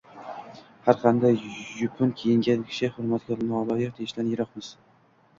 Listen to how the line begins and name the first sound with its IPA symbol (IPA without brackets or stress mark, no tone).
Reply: h